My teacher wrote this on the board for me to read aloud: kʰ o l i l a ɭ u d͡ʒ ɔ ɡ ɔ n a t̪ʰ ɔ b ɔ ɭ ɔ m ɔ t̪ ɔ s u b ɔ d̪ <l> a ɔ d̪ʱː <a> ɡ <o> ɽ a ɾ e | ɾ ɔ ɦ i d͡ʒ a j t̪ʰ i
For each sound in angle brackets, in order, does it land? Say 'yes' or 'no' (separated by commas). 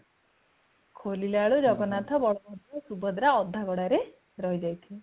no, yes, no